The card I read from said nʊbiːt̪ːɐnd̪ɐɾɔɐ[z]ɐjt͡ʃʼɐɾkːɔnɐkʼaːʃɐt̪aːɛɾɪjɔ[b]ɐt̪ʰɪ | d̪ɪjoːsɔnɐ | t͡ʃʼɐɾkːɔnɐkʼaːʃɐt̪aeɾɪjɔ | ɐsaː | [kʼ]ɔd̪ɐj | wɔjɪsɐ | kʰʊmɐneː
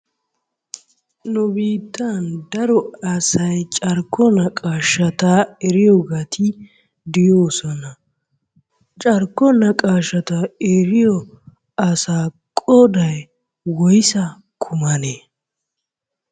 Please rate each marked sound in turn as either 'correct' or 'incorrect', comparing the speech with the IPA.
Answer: incorrect: s, incorrect: ɡ, correct

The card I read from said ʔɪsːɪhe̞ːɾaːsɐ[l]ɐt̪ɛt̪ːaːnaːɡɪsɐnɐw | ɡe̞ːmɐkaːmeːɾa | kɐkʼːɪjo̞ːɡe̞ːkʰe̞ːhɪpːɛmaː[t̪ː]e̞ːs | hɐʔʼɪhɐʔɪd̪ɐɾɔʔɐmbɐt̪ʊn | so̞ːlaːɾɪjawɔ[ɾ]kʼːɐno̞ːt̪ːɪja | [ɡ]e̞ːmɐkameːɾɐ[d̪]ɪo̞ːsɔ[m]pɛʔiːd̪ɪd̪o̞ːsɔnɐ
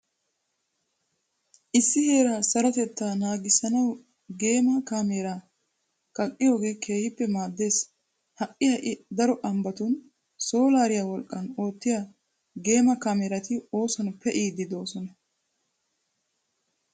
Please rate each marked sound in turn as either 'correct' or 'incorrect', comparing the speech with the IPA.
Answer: incorrect: ɾ, incorrect: d̪ː, incorrect: l, correct, incorrect: t̪, incorrect: n

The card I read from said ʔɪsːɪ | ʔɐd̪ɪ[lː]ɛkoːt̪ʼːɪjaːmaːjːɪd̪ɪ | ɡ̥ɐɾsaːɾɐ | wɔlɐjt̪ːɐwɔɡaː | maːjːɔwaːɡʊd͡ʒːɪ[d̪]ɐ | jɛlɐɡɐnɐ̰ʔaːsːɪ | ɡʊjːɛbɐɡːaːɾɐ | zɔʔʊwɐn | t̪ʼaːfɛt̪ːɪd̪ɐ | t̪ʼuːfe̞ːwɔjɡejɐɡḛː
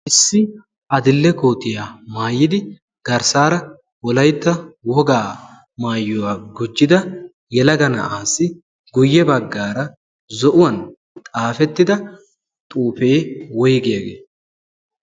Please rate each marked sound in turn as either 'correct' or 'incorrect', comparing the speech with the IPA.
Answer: correct, correct

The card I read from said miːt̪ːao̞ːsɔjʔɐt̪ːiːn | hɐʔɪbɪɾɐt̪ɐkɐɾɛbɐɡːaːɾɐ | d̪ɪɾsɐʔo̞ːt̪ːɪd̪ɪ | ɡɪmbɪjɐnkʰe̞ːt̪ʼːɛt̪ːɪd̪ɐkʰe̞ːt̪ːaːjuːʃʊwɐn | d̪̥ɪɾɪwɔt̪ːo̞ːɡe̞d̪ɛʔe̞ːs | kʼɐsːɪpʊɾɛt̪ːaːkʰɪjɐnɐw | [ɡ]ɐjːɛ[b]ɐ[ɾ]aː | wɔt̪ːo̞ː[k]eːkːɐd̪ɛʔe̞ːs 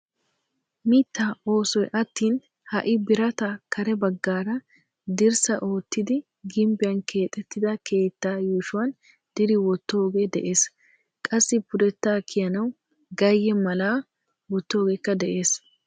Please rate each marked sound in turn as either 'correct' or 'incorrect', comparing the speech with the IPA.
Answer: correct, incorrect: m, incorrect: l, incorrect: ɡ

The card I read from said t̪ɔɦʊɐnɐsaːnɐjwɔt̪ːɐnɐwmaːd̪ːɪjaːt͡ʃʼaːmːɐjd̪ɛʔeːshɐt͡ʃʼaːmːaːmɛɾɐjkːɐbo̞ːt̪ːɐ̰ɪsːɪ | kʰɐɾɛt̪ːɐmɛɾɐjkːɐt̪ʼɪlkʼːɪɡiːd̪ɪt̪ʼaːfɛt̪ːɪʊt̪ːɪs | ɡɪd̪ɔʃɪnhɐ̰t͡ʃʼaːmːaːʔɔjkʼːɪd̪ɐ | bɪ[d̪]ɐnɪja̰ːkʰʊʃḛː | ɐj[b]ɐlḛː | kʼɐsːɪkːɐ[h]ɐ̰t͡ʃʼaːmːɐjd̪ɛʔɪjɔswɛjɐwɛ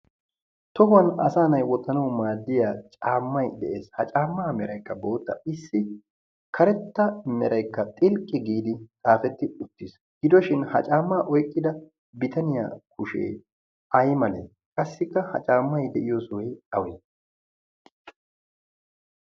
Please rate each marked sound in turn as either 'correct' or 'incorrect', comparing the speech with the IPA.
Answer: incorrect: t̪, incorrect: m, correct

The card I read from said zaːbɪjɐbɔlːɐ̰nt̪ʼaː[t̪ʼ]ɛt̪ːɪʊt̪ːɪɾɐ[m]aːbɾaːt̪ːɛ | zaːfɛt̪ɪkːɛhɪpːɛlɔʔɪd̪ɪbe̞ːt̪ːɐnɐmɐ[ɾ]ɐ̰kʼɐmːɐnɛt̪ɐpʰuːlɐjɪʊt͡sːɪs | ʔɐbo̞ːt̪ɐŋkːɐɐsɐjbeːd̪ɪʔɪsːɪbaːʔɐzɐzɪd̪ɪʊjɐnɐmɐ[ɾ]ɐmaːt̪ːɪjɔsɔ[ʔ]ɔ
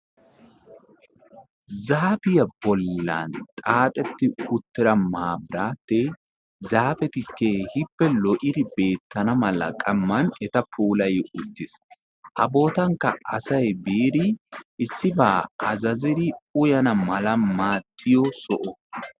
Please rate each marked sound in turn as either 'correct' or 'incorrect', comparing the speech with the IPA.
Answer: correct, correct, incorrect: l, incorrect: l, correct

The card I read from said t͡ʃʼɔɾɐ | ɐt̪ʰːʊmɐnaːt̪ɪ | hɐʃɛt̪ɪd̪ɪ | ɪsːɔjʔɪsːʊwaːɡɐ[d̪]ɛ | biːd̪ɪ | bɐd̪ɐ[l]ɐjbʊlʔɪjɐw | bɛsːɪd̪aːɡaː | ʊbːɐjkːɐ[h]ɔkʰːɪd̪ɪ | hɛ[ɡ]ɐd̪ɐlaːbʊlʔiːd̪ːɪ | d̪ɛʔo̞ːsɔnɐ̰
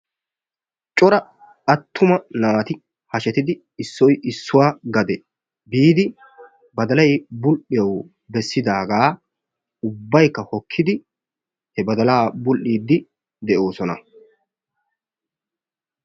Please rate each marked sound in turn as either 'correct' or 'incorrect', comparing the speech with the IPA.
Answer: correct, correct, correct, incorrect: b

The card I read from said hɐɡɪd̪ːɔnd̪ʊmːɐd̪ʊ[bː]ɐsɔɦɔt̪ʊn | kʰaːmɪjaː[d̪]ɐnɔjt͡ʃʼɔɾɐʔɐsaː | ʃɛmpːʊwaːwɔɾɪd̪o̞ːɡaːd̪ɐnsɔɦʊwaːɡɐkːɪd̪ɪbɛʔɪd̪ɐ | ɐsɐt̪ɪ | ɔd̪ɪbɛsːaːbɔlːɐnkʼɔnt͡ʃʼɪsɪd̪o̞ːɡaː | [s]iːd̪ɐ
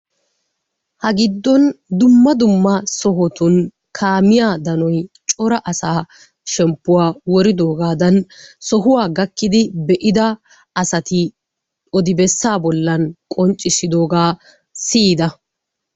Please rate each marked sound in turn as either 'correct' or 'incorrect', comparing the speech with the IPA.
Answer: incorrect: mː, correct, correct

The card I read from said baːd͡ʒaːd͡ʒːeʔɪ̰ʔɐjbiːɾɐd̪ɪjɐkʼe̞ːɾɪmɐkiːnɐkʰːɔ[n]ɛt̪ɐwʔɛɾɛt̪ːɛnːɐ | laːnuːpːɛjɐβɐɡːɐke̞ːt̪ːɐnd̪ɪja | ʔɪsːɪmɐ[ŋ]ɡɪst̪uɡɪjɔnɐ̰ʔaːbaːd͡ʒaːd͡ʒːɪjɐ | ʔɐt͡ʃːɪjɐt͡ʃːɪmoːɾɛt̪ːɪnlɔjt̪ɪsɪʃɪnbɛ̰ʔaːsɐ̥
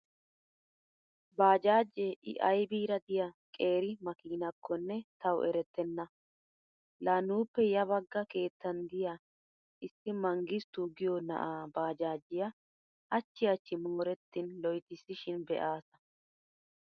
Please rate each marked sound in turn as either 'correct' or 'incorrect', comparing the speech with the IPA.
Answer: incorrect: nː, correct

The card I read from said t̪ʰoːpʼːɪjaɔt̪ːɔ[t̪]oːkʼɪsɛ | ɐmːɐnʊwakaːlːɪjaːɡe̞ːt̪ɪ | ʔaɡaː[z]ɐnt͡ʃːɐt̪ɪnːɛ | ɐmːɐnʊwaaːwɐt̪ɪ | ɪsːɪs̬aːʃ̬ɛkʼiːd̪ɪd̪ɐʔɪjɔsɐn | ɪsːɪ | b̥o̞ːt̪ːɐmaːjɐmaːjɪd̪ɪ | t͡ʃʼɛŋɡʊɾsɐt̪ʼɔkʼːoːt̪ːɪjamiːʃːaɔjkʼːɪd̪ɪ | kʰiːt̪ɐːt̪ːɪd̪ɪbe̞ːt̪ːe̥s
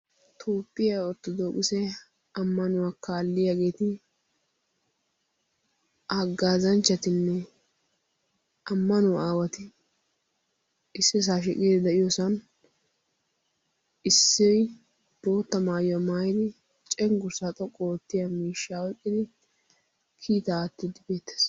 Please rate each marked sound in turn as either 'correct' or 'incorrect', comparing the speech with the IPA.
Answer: incorrect: d̪, correct

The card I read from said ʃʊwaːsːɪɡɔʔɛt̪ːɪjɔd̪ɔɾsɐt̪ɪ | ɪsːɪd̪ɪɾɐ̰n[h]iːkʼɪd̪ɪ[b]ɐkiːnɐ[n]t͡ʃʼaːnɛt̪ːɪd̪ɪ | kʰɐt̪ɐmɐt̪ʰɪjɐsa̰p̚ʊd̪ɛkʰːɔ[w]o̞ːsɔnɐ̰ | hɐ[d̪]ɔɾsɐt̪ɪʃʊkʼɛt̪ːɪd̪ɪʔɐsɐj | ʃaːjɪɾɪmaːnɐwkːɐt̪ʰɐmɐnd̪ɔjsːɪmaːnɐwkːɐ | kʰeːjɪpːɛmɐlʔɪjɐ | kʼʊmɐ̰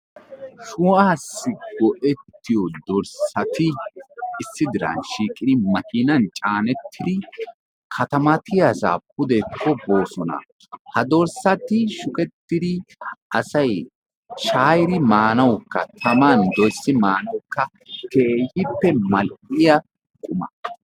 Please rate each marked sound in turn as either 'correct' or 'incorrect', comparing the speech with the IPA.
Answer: incorrect: ʃ, incorrect: m, correct, incorrect: b, correct

